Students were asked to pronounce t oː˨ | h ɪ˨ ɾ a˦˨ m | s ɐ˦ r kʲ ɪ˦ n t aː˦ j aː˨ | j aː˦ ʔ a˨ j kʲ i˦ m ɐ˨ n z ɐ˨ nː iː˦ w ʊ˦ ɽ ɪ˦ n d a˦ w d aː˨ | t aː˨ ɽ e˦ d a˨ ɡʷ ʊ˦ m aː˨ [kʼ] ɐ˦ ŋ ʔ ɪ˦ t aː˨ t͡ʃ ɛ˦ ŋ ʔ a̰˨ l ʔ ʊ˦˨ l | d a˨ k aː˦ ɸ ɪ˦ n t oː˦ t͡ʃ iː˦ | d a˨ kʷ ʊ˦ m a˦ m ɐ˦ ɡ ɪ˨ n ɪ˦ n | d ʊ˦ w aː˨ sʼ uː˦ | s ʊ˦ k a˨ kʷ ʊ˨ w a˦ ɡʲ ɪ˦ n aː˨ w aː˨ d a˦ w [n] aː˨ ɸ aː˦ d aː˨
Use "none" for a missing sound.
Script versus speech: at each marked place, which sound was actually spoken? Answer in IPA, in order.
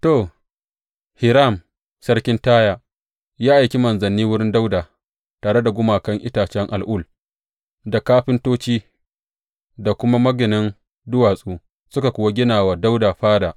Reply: k, d

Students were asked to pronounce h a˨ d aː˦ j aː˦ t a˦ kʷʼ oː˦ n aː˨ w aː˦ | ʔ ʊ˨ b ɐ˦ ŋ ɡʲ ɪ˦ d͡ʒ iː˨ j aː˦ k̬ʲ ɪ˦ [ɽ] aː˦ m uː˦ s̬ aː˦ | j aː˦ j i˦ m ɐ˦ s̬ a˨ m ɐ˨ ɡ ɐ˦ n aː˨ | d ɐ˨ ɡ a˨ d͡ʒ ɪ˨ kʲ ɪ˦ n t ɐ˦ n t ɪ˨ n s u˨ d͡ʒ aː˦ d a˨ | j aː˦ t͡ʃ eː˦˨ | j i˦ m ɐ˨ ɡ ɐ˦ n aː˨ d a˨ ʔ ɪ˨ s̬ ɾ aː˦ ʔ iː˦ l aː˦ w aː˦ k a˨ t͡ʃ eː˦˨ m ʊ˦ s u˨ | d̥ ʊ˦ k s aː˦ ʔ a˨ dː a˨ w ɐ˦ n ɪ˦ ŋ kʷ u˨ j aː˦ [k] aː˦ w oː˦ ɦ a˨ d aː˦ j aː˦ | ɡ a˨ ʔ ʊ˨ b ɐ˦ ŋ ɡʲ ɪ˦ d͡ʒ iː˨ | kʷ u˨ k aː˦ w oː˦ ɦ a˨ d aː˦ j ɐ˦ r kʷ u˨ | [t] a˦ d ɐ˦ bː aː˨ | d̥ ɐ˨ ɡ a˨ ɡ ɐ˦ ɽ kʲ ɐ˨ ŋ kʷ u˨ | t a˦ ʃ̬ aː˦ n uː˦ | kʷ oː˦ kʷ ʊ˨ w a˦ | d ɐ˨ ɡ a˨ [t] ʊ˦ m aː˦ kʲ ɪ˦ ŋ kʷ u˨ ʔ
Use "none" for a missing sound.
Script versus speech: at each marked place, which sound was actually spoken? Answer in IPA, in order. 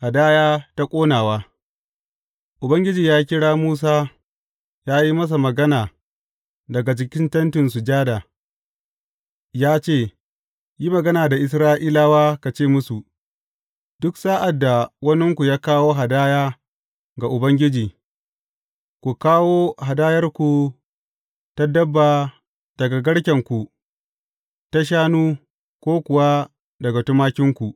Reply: ɽ, k, t, t

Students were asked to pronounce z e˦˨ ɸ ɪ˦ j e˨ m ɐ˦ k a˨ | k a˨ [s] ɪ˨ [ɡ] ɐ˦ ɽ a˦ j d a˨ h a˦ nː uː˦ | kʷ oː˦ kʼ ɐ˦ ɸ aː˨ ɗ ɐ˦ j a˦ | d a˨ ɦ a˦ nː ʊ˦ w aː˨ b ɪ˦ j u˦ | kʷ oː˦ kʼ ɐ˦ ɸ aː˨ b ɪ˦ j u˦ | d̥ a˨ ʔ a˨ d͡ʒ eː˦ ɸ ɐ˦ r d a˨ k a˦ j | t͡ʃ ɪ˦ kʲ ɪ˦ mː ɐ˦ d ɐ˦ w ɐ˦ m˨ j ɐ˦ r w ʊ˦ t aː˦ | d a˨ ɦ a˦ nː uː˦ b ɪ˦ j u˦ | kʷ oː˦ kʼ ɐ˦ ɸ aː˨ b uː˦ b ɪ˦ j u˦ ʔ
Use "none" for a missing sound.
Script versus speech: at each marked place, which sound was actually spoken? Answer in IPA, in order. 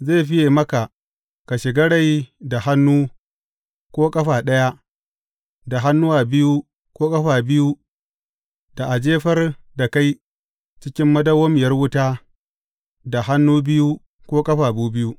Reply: ʃ, ɡ

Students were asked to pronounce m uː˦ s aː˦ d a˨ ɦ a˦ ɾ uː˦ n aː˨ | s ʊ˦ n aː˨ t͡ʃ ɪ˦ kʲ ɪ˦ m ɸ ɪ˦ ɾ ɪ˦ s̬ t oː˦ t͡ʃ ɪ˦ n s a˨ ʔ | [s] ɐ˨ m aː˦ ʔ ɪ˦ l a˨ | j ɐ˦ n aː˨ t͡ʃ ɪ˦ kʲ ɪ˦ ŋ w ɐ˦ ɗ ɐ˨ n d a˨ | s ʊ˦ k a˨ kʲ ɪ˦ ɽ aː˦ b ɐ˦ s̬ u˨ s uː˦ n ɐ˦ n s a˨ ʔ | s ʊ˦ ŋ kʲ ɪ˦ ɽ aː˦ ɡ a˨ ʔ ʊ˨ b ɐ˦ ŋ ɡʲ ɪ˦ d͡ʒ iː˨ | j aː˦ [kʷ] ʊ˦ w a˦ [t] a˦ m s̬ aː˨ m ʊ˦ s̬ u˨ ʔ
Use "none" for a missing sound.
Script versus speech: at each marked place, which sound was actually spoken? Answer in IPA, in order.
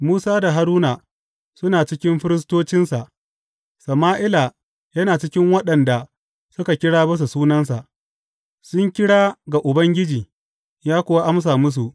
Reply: s, kʷ, ʔ

